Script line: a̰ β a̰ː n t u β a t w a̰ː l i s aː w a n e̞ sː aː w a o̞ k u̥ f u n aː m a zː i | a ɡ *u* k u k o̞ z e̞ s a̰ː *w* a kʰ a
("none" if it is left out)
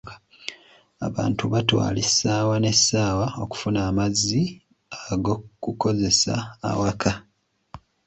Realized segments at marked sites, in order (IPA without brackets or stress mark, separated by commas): o, w